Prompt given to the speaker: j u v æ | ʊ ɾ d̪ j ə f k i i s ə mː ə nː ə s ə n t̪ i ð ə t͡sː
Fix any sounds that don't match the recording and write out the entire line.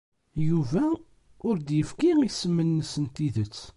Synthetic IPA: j u v æ | ʊ ɾ d̪ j ə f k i i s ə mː ə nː ə s ə n t̪ i ð ə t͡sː